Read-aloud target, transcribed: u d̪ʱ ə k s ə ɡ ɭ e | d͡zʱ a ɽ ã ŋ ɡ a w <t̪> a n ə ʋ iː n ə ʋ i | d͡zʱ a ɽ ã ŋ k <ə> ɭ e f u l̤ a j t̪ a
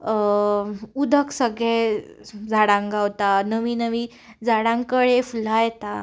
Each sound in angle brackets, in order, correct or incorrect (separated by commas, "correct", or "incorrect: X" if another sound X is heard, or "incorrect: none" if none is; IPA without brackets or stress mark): correct, correct